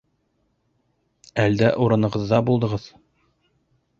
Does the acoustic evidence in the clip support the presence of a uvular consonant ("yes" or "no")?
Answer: yes